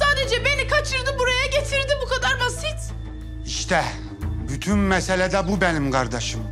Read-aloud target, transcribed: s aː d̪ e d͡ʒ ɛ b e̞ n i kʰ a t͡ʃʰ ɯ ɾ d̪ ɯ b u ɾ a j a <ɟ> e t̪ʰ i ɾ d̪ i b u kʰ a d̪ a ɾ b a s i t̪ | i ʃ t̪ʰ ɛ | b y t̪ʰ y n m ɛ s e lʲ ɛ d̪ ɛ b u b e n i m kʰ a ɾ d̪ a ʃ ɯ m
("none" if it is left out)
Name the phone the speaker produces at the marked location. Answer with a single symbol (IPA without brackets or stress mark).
ɟ